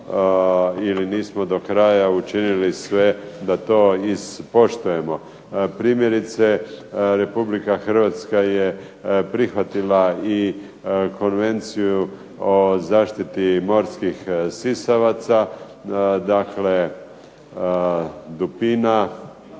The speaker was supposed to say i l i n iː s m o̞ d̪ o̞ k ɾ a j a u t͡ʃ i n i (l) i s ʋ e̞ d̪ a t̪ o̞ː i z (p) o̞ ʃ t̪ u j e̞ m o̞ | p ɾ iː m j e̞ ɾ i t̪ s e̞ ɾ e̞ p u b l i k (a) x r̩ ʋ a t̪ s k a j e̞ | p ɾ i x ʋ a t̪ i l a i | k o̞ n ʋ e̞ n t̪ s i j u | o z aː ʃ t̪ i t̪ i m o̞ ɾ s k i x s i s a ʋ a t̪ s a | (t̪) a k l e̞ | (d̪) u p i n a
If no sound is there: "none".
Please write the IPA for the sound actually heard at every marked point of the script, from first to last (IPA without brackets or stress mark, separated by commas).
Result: l, p, a, d̪, d̪